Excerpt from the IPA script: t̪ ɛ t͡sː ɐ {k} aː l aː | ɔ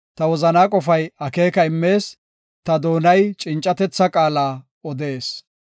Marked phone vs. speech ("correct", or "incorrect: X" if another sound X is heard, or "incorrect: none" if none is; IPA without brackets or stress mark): incorrect: kʼ